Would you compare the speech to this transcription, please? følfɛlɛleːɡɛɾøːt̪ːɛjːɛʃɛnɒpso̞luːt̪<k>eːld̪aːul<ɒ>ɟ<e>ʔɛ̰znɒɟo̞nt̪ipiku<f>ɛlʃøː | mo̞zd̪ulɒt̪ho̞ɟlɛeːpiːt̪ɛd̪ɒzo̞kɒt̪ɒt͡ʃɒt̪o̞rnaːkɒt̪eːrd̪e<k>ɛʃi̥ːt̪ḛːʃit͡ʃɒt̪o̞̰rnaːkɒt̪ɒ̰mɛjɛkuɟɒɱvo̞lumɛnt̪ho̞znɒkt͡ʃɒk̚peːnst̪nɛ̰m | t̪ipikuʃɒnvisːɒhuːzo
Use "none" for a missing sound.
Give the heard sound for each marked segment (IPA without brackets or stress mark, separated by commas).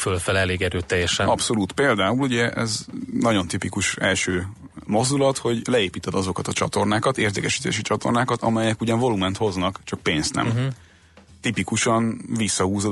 p, u, ɛ, ʃ, k